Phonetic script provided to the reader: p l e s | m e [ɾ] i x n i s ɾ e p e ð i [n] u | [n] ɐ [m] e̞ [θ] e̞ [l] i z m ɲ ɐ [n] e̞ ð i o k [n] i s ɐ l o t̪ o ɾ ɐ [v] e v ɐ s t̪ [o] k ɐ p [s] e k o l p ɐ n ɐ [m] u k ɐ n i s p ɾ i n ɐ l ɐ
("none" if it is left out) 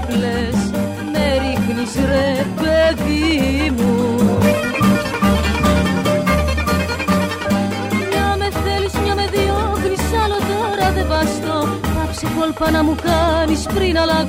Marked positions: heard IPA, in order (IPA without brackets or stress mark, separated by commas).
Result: ɾ, m, ɲ, m, θ, l, m, n, ð, o, s, m